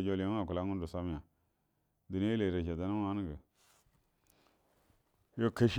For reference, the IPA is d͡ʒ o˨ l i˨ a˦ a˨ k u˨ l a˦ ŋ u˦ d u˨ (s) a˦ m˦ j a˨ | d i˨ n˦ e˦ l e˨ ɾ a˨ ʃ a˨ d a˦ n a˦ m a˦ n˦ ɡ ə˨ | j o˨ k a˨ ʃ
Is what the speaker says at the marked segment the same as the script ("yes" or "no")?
yes